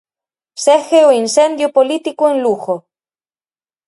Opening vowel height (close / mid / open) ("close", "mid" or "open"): mid